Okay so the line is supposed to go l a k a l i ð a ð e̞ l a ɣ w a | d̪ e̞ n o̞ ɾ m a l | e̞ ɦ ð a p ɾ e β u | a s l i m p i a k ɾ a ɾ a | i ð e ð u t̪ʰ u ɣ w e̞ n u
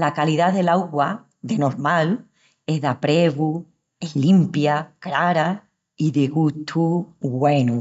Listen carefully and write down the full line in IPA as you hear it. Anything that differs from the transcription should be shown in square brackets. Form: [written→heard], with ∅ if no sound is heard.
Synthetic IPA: l a k a l i ð a ð e̞ l a ɣ w a | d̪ e̞ n o̞ ɾ m a l | e̞ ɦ ð a p ɾ e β u | [a→e] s l i m p [i→j] a k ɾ a ɾ a | i ð e [ð→ɣ] u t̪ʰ u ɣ w e̞ n u